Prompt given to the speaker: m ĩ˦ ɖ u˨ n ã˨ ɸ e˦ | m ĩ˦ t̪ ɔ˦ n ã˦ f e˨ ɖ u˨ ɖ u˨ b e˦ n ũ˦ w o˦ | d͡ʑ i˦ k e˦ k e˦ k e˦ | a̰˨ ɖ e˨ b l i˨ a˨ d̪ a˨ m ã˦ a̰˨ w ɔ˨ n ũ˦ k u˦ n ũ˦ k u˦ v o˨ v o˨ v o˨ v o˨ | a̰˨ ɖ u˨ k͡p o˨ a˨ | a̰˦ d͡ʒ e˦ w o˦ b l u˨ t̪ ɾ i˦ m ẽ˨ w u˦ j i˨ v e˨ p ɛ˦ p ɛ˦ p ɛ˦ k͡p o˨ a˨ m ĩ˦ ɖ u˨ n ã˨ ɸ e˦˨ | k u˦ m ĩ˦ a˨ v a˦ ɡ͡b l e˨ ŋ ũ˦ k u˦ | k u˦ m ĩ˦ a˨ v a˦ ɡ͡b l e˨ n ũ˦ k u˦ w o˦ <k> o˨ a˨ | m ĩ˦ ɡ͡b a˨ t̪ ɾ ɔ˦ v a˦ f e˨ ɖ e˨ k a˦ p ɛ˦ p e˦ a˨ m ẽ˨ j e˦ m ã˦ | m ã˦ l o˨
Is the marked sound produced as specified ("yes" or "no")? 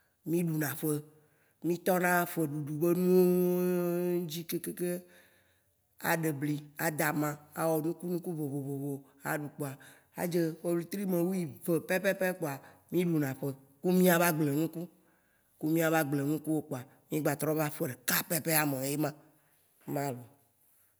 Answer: no